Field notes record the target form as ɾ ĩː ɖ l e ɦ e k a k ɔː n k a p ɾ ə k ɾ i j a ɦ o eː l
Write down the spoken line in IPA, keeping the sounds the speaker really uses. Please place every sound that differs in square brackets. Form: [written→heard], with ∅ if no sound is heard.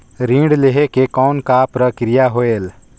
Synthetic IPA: ɾ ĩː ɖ l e ɦ e k [a→e] k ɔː n k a p ɾ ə k ɾ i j a ɦ o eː l